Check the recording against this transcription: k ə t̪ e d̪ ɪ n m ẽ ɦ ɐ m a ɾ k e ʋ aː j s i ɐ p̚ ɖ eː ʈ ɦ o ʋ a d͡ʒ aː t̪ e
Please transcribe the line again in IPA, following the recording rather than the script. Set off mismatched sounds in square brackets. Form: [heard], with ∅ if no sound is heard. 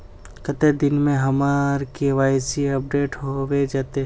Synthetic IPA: k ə t̪ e d̪ ɪ n m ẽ ɦ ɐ m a ɾ k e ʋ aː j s i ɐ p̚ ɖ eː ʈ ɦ o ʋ [e] d͡ʒ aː t̪ e